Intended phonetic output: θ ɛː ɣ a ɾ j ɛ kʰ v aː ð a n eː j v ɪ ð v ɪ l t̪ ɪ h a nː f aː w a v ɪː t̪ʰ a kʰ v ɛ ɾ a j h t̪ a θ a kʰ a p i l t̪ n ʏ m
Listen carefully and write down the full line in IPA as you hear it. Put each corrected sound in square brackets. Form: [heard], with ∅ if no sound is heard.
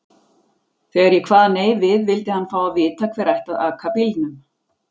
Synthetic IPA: θ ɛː ɣ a ɾ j ɛ kʰ v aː ð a n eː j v ɪ ð v ɪ l t̪ ɪ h a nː f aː w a v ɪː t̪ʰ a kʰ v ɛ ɾ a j h t̪ a [ð] a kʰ a p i l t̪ n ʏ m